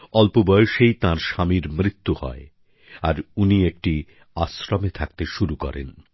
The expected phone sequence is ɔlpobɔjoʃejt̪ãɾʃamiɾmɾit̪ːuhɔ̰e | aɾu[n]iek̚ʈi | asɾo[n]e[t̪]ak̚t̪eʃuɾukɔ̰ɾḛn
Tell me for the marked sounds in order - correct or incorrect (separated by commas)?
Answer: correct, incorrect, incorrect